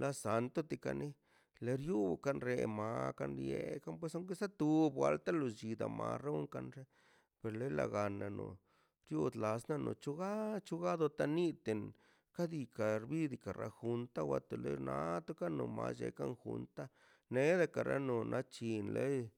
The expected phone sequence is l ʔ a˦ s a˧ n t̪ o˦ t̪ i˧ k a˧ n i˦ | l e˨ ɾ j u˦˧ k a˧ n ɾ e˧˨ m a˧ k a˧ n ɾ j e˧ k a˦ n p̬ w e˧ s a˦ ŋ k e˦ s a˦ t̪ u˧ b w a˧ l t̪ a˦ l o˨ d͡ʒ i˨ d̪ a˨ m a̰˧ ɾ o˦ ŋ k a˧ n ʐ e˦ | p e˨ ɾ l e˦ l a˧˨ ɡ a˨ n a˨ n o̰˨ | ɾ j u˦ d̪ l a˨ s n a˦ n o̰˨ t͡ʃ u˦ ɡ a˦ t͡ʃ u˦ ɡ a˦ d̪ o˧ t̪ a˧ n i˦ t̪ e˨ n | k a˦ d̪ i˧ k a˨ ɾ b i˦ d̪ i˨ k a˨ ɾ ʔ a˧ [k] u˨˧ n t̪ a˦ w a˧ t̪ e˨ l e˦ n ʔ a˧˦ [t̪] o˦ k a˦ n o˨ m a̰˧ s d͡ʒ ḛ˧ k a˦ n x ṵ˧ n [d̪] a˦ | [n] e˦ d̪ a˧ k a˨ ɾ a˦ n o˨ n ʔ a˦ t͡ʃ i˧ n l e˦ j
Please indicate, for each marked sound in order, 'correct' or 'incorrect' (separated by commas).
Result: incorrect, correct, incorrect, correct